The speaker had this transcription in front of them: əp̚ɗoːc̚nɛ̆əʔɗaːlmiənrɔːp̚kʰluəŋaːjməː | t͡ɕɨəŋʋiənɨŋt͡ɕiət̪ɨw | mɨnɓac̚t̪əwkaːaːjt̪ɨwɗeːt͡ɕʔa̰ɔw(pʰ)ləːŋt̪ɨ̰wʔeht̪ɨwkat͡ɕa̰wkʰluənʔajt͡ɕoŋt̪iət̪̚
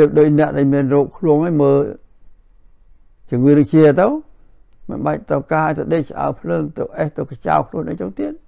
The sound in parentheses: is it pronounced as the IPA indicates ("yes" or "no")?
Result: yes